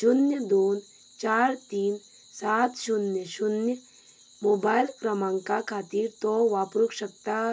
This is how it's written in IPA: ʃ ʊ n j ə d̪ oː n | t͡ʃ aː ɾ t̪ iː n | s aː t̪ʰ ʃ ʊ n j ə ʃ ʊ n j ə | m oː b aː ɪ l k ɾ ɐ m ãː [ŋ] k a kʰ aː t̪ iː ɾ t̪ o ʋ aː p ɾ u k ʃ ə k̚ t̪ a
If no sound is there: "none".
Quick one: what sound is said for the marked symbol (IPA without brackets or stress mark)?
ŋ